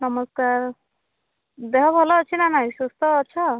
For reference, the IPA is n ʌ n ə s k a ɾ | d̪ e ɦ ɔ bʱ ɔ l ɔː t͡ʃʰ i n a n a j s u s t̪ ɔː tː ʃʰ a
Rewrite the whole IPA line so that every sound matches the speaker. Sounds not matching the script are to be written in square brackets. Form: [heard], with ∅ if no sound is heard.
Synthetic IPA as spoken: n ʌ [m] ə s k a ɾ | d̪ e ɦ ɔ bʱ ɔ l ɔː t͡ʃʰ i n a n a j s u s t̪ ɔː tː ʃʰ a